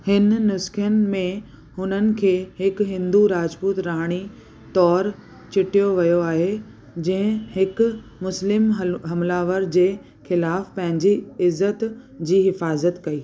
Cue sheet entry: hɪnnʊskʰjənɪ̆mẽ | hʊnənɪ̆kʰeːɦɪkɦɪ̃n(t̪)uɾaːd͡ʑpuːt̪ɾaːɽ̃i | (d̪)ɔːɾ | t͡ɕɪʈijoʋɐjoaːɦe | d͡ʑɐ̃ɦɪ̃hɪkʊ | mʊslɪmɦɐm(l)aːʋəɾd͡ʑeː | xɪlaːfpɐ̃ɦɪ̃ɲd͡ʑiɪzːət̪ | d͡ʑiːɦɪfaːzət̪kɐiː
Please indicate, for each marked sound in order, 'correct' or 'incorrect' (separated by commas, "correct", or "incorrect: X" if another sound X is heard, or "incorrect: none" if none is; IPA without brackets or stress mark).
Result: incorrect: d̪, incorrect: t̪, correct